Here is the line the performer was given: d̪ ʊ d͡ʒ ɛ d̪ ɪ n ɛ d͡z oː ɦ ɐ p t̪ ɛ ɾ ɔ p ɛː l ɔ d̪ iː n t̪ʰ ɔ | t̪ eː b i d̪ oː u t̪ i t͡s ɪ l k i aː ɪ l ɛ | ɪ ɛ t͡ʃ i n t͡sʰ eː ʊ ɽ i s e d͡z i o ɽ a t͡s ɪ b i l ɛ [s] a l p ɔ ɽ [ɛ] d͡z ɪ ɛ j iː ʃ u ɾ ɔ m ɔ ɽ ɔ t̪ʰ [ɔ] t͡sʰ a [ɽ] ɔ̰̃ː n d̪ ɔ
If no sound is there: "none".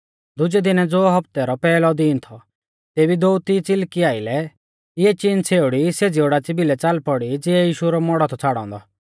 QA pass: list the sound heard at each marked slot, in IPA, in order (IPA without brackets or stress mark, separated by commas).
t͡s, i, ɔ, ɽ